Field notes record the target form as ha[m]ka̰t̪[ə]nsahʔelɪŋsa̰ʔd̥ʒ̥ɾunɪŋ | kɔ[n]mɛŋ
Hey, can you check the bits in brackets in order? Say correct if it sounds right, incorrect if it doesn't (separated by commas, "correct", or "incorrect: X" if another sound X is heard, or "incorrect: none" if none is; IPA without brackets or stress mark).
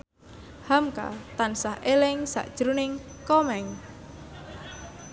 correct, incorrect: a, incorrect: none